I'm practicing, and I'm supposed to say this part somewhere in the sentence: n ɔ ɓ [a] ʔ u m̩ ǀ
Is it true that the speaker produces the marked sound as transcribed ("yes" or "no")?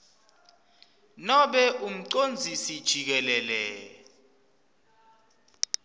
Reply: no